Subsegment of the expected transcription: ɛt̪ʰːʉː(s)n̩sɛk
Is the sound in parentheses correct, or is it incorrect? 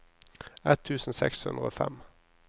correct